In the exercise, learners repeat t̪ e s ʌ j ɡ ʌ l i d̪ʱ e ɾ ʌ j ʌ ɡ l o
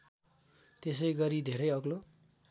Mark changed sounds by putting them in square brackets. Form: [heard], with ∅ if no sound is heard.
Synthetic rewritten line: t̪ e s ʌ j ɡ ʌ [ɾ] i d̪ʱ e ɾ ʌ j ʌ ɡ l o